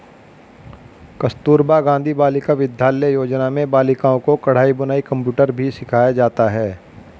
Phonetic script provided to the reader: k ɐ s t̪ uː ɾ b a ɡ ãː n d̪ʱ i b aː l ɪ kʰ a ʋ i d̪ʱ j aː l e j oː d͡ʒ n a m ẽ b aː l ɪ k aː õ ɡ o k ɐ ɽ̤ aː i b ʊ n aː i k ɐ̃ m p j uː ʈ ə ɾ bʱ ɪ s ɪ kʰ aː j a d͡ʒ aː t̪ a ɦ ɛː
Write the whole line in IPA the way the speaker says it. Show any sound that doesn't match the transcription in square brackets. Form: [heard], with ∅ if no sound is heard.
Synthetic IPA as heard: k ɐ s t̪ uː ɾ b a ɡ ãː n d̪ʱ i b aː l ɪ [k] a ʋ [ɪ] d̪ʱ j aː l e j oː d͡ʒ n a m ẽ b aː l ɪ k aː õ [k] o k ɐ ɽ̤ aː i b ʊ n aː i k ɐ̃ m p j uː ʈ ə ɾ bʱ [i] s ɪ kʰ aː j a d͡ʒ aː t̪ a ɦ ɛː